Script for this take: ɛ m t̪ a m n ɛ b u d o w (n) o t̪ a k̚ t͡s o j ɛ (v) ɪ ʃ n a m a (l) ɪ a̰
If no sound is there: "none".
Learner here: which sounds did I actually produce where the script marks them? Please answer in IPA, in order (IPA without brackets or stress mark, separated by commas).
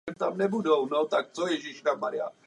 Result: n, ʒ, ɾ